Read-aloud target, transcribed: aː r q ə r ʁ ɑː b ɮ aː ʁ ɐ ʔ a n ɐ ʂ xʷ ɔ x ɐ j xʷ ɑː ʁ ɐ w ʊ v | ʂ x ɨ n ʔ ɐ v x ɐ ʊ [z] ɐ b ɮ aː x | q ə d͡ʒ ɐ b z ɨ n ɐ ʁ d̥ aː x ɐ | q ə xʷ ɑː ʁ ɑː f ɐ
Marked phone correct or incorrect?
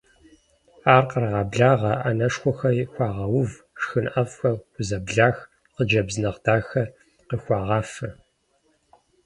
correct